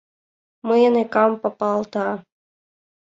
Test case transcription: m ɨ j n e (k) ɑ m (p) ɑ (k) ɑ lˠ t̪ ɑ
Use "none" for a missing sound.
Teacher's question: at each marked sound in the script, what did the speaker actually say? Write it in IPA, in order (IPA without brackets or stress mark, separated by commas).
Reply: k, p, p